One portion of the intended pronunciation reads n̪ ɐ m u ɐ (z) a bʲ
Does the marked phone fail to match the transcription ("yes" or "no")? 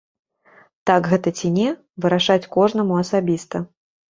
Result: yes